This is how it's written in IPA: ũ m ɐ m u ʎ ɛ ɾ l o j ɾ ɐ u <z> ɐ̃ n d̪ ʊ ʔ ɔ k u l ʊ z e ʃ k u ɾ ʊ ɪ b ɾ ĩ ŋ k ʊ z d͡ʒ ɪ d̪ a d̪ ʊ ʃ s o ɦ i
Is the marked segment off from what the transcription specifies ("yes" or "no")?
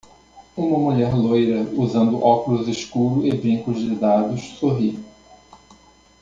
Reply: no